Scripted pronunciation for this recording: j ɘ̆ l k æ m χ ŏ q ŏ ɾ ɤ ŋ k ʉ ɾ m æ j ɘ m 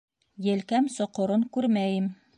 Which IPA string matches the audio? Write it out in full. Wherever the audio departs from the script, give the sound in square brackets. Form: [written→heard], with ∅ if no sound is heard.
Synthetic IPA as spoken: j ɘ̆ l k æ m [χ→s] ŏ q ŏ ɾ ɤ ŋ k ʉ ɾ m æ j ɘ m